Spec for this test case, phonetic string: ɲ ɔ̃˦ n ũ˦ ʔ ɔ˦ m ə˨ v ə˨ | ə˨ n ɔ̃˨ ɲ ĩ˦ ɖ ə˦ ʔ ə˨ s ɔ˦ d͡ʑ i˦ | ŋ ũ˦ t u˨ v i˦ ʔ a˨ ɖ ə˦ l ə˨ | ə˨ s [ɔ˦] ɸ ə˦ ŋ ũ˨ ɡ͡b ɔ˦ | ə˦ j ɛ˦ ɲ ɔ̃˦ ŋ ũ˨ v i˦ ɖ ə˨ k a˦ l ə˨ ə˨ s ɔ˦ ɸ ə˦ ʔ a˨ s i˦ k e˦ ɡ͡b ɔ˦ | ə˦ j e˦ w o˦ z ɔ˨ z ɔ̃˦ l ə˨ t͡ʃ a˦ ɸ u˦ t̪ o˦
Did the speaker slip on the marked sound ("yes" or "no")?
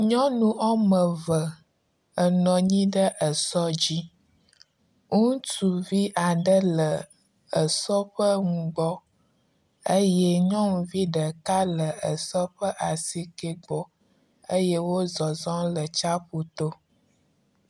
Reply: no